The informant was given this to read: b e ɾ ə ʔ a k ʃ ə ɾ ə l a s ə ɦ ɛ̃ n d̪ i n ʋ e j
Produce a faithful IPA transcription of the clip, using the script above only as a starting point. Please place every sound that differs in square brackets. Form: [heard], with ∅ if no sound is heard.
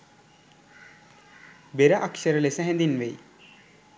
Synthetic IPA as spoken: b e ɾ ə ʔ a k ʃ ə ɾ ə l [e] s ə ɦ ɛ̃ n d̪ i n ʋ e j